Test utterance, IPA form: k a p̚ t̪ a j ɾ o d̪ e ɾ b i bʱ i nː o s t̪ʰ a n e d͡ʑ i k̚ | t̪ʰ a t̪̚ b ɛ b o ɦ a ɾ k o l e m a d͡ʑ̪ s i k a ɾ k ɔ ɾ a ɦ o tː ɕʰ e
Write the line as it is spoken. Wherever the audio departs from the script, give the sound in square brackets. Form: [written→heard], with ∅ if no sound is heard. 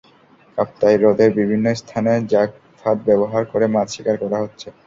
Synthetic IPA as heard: k a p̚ t̪ a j ɾ o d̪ e ɾ b i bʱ i nː o s t̪ʰ a n e d͡ʑ [i→a] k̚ | t̪ʰ a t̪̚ b ɛ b o ɦ a ɾ k o [l→ɾ] e m a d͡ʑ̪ [s→ʃ] i k a ɾ k ɔ ɾ a ɦ o tː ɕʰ e